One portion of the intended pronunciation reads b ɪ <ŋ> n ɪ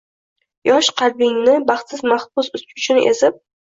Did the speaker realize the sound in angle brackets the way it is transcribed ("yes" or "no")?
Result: yes